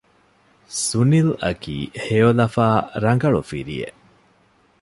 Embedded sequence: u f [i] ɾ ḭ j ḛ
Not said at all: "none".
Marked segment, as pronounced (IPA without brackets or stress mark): i